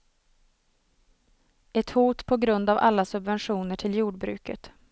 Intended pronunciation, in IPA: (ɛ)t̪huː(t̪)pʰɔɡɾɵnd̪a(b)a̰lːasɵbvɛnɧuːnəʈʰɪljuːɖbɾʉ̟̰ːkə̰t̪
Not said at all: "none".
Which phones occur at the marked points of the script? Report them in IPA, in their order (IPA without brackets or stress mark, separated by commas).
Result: ɛ, t̪, v